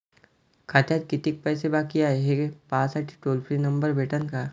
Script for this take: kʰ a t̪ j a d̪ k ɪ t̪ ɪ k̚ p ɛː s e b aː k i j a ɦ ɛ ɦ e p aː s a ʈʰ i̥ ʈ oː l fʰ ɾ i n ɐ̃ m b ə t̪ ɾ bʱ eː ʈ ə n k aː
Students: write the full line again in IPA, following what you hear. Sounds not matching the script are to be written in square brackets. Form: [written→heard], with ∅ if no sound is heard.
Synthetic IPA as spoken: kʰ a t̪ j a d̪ k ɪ t̪ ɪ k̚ p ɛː s e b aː k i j a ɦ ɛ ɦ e p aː s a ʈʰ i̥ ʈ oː l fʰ ɾ i n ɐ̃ m b ə [t̪→∅] ɾ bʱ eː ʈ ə n k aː

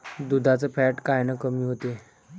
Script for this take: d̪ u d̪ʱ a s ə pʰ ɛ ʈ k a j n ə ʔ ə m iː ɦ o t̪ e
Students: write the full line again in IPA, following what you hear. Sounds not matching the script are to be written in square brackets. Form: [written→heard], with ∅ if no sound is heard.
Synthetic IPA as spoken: d̪ u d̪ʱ a [s→t͡s] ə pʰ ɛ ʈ k a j n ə [ʔ→k] ə m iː ɦ o t̪ e

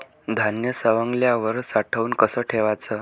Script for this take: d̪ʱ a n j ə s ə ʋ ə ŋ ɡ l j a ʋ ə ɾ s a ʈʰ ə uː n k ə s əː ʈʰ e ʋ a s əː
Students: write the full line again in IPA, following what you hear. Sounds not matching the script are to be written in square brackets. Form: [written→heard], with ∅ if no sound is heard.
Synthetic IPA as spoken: d̪ʱ a n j ə s ə ʋ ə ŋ ɡ l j a ʋ ə ɾ s a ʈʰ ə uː n k ə s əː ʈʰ e ʋ a [s→t͡s] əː

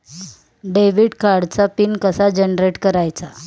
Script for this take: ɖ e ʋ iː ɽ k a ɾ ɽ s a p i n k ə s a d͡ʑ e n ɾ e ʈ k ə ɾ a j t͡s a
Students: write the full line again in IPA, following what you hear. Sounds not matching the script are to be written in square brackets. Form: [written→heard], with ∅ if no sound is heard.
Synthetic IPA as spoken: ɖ e ʋ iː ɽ k a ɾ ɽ [s→t͡s] a p i n k ə s a d͡ʑ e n ɾ e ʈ k ə ɾ a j t͡s a

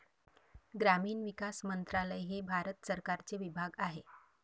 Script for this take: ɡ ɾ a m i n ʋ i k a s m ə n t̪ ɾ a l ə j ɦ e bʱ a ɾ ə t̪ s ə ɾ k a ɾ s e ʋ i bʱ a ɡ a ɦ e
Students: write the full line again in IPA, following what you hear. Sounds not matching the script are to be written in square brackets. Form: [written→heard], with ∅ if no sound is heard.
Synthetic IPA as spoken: ɡ ɾ a m [i→iː] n ʋ i k a s m ə n t̪ ɾ a l ə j ɦ e bʱ a ɾ ə t̪ s ə ɾ k a ɾ [s→t͡s] e ʋ i bʱ a ɡ a ɦ e

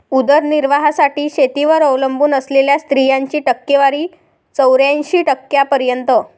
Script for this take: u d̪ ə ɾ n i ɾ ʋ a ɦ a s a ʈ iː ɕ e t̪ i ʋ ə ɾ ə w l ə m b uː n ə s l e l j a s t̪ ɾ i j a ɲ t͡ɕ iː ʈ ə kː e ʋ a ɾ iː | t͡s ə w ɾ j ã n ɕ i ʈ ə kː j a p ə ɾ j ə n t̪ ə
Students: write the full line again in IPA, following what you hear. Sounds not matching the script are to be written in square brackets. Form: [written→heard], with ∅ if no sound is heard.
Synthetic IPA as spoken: u d̪ ə ɾ n i ɾ ʋ a ɦ a s a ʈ iː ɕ e t̪ i ʋ ə ɾ ə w l ə m b uː n ə s l e l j a s t̪ ɾ i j a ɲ t͡ɕ iː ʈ ə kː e ʋ a ɾ iː | t͡s ə w ɾ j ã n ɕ [i→iː] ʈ ə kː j a p ə ɾ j ə n t̪ ə

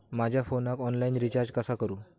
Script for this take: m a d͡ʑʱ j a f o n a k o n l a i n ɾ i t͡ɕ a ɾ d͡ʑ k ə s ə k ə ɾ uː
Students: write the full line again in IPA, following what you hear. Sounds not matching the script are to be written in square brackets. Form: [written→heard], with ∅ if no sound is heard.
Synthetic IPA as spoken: m a d͡ʑʱ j a f o n a k [o→ɔ] n l a i n ɾ i t͡ɕ a ɾ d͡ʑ k ə s [ə→a] k ə ɾ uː

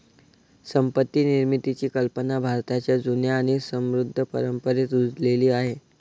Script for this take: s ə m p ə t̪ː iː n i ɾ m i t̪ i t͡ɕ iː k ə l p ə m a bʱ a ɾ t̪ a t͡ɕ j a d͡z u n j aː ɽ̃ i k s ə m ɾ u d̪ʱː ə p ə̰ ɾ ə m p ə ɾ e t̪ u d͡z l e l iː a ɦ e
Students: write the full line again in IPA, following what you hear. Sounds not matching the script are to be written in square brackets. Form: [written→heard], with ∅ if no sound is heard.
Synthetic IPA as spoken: s ə m p ə t̪ː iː n i ɾ m i t̪ i t͡ɕ iː k ə l p ə [m→n] a bʱ a ɾ t̪ a t͡ɕ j a d͡z u n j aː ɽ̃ i [k→∅] s ə m ɾ u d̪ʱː ə p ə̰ ɾ ə m p ə ɾ e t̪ u d͡z l e l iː a ɦ e

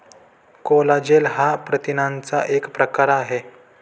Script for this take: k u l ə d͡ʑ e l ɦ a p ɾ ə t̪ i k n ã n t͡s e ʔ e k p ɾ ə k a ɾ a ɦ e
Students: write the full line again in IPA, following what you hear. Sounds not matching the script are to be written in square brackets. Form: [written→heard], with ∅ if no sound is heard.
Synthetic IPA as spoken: k [u→o] l [ə→a] d͡ʑ e l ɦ a p ɾ ə t̪ i [k→∅] n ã n t͡s [e→a] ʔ e k p ɾ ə k a ɾ a ɦ e

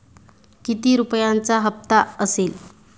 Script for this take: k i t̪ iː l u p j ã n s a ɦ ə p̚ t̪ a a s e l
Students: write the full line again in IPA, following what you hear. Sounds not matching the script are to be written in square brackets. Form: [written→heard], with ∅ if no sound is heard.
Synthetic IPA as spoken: k i t̪ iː [l→ɾ] u p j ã n [s→t͡s] a ɦ ə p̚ t̪ a [a→ə] s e l

